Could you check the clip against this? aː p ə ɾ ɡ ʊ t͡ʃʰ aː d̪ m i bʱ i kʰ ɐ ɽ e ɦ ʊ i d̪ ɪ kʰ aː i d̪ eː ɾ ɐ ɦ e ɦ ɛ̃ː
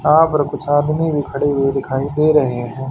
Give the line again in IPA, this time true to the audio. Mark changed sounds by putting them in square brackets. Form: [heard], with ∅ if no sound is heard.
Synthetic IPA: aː p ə ɾ [k] ʊ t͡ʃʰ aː d̪ m i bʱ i kʰ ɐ ɽ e ɦ ʊ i d̪ ɪ kʰ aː i d̪ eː ɾ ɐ ɦ e ɦ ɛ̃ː